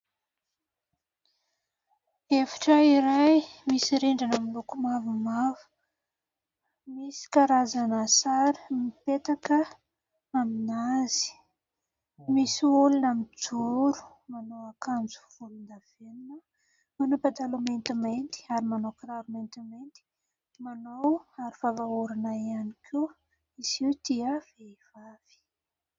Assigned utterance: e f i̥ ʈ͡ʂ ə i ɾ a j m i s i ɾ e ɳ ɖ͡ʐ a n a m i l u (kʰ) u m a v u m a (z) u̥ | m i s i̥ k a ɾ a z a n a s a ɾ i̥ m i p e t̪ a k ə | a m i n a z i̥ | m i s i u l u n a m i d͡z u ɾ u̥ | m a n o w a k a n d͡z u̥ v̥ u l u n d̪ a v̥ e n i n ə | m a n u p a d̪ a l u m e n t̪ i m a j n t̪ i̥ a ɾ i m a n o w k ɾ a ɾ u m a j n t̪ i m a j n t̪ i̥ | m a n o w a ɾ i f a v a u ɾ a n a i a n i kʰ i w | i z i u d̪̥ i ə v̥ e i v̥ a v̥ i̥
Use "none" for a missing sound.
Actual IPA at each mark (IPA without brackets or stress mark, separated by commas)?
k, v